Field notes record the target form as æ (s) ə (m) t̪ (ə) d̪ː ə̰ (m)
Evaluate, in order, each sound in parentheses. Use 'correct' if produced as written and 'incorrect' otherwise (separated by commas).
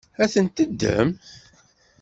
incorrect, incorrect, correct, correct